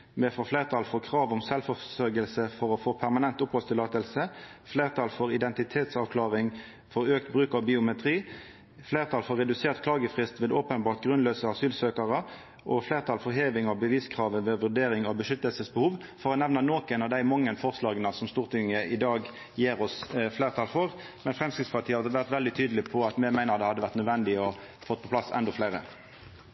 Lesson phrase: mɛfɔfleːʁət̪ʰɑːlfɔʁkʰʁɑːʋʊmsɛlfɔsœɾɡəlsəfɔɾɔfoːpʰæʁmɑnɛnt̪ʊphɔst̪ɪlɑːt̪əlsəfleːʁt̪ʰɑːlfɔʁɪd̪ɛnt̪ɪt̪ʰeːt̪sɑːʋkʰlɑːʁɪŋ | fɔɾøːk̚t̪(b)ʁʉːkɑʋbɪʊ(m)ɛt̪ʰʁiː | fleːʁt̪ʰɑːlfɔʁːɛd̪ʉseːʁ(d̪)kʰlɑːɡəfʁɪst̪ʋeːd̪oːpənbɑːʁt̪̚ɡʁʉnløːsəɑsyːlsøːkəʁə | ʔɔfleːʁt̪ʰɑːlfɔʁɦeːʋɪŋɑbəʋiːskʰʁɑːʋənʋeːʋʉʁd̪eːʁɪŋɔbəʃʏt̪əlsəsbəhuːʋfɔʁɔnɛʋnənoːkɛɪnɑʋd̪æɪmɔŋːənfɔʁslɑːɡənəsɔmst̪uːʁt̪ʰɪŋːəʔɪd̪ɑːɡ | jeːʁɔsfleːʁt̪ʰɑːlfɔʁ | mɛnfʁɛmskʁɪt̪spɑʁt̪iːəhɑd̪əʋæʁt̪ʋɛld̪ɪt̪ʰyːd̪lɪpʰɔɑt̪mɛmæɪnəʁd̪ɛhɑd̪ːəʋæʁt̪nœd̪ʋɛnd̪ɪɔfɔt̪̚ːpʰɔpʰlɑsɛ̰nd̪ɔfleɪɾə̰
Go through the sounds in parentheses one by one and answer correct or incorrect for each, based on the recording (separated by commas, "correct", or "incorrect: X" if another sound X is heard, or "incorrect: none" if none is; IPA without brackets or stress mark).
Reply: correct, correct, incorrect: t̪